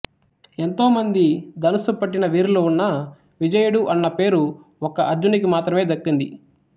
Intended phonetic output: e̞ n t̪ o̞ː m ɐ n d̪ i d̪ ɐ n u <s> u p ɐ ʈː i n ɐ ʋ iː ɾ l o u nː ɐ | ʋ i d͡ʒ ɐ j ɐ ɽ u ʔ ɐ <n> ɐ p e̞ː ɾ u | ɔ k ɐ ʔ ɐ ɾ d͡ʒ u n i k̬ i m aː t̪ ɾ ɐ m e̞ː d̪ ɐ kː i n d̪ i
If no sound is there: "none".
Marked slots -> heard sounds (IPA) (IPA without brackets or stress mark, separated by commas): s, nː